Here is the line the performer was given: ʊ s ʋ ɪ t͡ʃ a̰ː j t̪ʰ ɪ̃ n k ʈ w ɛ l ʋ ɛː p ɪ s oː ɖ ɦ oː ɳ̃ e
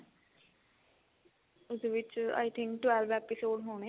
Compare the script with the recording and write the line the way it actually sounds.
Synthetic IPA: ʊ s ʋ ɪ t͡ʃ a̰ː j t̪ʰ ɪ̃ ŋ k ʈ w ɛ l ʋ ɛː p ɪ s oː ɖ ɦ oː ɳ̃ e